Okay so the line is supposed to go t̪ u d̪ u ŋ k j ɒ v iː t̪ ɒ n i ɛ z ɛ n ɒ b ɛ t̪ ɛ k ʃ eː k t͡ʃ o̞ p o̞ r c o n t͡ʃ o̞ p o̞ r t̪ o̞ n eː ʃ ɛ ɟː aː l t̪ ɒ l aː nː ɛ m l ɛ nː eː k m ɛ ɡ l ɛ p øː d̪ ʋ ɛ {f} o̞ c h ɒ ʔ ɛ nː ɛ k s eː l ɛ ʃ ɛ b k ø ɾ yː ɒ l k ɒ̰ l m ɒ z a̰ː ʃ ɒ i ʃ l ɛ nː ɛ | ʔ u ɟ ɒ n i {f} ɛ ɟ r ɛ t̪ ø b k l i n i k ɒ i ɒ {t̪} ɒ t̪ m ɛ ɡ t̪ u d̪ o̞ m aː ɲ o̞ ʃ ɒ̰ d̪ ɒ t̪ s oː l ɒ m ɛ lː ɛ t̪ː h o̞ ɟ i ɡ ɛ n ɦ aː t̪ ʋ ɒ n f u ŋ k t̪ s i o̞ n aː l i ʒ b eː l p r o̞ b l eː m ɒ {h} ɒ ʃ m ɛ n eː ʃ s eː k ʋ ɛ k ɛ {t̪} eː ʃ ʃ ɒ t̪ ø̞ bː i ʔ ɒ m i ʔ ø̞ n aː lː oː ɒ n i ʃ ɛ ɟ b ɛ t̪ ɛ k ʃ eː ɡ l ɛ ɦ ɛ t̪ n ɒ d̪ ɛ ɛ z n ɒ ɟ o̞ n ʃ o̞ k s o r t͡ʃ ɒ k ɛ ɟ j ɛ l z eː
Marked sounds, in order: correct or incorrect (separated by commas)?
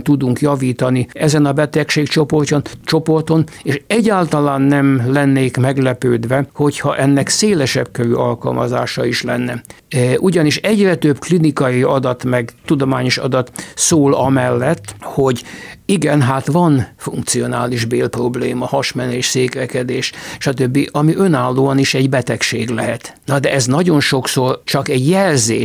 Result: incorrect, incorrect, incorrect, correct, incorrect